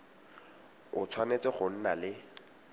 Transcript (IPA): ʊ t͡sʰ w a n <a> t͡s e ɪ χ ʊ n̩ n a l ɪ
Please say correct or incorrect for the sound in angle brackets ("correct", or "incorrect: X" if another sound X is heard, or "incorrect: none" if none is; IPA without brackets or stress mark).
incorrect: e